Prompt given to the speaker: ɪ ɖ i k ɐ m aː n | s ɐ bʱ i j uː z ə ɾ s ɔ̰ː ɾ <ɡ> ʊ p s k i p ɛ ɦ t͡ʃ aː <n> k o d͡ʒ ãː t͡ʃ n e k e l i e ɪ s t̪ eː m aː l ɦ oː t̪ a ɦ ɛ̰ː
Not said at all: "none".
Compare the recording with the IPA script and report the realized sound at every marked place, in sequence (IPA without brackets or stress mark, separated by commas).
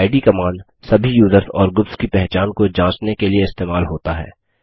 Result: ɡ, n